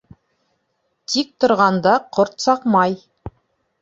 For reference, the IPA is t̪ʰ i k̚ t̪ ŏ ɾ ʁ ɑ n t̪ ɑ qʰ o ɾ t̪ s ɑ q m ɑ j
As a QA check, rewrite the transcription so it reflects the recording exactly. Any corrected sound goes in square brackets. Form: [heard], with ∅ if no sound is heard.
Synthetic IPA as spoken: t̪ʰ i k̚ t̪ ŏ ɾ ʁ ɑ n [d̪] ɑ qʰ o ɾ t̪ s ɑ q m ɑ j